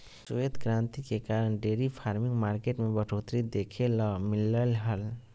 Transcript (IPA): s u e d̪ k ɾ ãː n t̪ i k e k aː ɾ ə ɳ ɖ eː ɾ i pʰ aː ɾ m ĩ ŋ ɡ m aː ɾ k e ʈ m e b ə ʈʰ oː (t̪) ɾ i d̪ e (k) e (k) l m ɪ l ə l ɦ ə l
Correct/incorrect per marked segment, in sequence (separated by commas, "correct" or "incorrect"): correct, incorrect, incorrect